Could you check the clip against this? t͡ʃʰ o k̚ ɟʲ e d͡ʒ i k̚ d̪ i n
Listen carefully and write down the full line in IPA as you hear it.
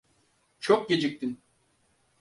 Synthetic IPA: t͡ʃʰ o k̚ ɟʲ e d͡ʒ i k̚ t̪ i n